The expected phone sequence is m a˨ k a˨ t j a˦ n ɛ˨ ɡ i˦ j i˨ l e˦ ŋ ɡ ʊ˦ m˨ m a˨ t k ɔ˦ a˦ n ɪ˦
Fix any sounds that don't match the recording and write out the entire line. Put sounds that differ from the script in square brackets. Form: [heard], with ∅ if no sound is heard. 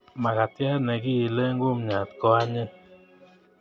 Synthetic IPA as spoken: m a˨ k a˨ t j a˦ n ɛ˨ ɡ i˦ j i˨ l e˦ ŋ ɡ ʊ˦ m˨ [ɲ] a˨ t k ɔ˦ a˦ [ɲ] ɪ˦